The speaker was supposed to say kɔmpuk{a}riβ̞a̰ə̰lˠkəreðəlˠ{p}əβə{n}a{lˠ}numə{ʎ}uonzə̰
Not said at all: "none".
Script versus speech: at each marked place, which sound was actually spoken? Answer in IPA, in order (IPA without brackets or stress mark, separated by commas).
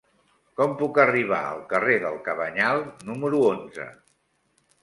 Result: ə, k, ɲ, lˠ, ɾ